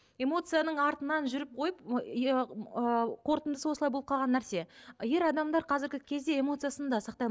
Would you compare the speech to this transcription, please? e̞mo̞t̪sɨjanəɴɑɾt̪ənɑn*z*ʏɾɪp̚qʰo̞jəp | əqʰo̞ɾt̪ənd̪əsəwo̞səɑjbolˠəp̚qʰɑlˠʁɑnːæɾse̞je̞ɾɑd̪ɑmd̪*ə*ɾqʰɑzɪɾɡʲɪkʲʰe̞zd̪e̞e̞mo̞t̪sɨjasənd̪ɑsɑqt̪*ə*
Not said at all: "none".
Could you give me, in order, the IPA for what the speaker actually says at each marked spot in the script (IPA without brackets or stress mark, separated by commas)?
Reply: ʒ, ɑ, ɑ